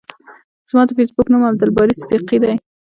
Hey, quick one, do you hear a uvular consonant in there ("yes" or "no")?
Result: yes